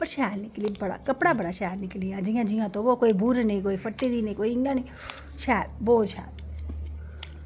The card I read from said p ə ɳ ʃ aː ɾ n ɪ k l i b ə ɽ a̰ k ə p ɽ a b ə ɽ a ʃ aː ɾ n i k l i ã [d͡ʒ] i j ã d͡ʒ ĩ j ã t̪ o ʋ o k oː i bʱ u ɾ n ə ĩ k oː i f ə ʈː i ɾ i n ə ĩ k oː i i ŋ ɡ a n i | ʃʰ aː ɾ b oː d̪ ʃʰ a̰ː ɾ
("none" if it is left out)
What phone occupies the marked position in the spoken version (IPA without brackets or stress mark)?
d͡ʒ